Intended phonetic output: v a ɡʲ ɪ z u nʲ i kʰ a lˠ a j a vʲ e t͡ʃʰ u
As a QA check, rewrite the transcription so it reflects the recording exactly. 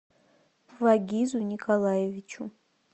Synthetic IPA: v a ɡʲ i z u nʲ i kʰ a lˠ a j e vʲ i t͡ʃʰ u